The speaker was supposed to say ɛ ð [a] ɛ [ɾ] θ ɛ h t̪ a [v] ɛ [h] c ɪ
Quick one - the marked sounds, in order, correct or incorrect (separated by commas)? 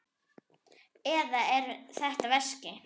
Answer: correct, correct, correct, incorrect